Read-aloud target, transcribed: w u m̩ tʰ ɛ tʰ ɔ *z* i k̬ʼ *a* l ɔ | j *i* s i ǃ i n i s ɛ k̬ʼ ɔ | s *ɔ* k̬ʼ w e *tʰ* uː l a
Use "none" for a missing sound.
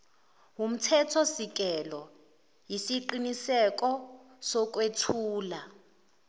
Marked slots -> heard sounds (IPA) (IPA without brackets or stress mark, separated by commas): s, ɛ, i, ɔ, tʰ